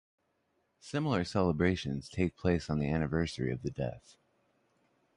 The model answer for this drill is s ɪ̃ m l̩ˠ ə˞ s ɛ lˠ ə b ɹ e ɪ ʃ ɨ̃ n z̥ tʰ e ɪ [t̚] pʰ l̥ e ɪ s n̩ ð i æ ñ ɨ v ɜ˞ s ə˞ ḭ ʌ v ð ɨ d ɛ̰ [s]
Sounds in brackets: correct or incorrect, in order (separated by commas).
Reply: incorrect, incorrect